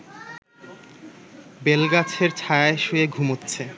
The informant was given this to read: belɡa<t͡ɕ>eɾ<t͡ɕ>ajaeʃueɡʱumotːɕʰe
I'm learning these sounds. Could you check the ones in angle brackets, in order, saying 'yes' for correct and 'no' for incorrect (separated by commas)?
no, no